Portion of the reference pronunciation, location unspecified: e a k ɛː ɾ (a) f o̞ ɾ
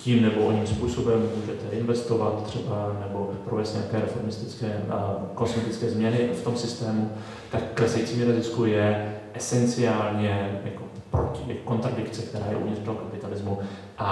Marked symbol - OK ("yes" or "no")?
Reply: no